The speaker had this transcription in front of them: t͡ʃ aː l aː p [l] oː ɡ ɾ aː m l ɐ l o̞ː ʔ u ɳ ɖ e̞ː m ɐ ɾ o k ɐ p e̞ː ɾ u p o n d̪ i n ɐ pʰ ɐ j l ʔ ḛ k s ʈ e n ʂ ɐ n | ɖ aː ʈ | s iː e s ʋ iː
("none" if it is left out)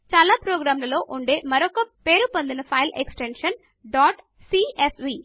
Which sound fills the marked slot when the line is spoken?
ɾ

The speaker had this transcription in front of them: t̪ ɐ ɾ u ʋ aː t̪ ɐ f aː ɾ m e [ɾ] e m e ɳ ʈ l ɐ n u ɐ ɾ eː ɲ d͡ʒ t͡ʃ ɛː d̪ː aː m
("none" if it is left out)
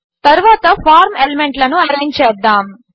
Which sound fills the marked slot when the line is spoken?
l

